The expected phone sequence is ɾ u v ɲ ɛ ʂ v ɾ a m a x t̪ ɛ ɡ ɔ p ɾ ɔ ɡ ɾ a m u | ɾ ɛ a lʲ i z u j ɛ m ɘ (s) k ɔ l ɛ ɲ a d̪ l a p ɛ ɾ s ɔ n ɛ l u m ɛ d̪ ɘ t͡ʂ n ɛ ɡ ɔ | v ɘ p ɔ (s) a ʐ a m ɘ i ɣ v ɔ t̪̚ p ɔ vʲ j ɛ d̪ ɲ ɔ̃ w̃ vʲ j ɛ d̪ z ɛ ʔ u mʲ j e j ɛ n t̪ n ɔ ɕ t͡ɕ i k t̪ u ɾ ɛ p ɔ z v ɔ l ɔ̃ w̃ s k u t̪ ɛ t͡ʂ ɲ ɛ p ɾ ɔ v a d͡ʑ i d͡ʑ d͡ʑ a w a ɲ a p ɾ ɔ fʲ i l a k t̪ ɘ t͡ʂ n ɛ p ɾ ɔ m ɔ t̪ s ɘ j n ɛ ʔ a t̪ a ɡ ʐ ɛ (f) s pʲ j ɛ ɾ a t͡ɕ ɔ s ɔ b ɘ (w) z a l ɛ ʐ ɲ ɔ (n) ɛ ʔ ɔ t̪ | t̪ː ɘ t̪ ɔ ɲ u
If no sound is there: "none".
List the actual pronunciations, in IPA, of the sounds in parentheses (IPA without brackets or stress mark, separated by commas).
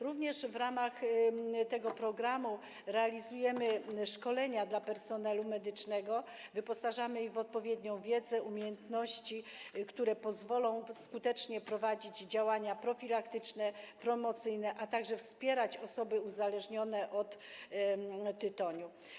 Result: ʂ, s, f, u, n